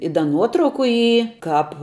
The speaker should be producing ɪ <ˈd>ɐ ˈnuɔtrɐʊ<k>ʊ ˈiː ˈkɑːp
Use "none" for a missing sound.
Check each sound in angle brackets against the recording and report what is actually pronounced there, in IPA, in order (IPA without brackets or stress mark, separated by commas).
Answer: d, k